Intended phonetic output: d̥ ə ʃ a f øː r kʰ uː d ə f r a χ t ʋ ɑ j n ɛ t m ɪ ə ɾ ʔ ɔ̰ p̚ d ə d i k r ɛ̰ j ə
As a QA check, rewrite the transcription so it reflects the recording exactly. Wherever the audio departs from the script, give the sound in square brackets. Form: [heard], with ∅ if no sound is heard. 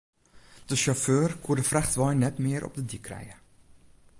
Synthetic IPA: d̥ ə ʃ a f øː r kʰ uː d ə f r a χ t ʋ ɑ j n ɛ t m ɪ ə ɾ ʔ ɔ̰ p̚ d ə d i k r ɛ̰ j ə